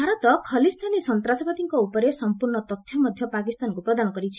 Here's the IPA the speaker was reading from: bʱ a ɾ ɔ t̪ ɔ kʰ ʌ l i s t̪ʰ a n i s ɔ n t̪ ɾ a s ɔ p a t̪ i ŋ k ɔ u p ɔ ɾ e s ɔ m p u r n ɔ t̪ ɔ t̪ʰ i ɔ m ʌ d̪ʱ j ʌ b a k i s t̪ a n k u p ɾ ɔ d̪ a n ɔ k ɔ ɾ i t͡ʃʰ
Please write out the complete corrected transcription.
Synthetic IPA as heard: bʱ a ɾ ɔ t̪ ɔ kʰ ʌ l i s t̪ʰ a n i s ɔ n t̪ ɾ a s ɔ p a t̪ i ŋ k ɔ u p ɔ ɾ e s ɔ m p u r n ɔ t̪ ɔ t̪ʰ j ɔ m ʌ d̪ʱ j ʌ p a k i s t̪ a n k u p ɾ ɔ d̪ a n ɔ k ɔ ɾ i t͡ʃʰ